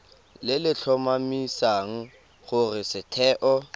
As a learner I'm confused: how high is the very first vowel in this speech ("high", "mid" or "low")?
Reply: high